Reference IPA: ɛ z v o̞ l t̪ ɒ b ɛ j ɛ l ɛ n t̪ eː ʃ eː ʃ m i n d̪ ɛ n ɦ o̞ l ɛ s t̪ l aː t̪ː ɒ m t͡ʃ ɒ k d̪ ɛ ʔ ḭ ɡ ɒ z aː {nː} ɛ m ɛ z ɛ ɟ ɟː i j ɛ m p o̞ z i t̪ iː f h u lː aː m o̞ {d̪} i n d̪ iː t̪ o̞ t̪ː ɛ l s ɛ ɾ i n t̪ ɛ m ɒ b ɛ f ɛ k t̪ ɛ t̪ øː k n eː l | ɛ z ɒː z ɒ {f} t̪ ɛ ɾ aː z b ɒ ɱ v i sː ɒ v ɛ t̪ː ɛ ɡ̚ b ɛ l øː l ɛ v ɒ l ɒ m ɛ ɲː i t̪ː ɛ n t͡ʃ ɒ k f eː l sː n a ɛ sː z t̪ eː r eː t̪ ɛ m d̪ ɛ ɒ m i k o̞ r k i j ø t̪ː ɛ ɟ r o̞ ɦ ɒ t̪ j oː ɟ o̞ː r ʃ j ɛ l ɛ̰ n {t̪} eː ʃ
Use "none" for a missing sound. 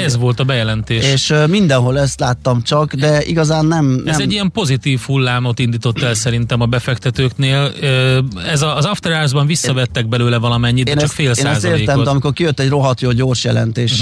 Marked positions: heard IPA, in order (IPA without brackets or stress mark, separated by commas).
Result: nː, t̪, f, t̪